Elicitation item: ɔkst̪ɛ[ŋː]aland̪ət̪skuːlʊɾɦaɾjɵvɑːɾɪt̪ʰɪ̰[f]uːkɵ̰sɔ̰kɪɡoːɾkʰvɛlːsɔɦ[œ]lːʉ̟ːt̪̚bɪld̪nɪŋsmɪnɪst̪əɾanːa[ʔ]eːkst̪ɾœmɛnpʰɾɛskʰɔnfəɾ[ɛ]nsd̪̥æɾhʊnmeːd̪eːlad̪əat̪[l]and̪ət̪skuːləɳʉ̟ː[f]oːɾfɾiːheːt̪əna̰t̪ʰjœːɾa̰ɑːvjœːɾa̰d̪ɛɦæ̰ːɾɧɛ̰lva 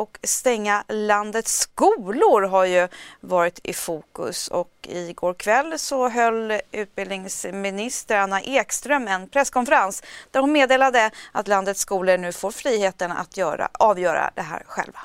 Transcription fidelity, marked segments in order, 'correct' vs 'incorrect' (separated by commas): correct, correct, correct, correct, incorrect, correct, correct